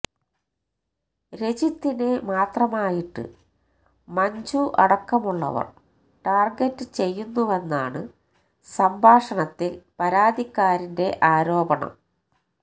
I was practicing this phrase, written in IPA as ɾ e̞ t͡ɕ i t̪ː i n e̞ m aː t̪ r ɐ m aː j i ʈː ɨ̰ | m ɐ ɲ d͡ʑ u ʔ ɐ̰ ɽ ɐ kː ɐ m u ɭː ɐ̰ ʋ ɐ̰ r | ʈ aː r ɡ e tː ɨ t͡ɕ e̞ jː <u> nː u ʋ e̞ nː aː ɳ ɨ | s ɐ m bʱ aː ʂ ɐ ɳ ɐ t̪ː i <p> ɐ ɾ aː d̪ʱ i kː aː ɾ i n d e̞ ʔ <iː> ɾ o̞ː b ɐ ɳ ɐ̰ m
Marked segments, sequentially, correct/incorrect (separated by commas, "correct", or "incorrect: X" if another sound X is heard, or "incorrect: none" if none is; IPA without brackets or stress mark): correct, correct, incorrect: aː